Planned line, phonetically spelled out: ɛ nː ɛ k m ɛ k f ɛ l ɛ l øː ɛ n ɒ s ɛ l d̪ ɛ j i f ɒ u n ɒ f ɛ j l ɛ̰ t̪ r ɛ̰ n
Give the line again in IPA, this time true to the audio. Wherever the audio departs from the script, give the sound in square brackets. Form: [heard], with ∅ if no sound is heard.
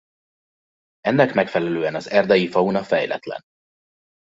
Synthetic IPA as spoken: ɛ nː ɛ k m ɛ k f ɛ l ɛ l øː ɛ n ɒ [z] ɛ [r] d̪ ɛ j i f ɒ u n ɒ f ɛ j l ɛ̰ t̪ [l] ɛ̰ n